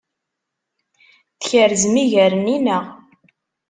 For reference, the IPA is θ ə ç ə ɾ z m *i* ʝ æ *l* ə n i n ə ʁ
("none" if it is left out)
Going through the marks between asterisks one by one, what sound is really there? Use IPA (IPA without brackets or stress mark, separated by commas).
i, ɾ